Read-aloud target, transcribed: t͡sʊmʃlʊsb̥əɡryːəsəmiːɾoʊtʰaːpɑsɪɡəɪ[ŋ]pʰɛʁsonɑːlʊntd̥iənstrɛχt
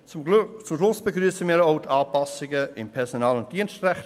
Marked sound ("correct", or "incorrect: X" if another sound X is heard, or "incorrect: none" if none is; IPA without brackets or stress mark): incorrect: m